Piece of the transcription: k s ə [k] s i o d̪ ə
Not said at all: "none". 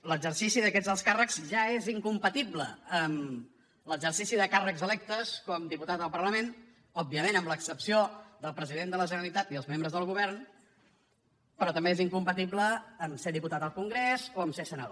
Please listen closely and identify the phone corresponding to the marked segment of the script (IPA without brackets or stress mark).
p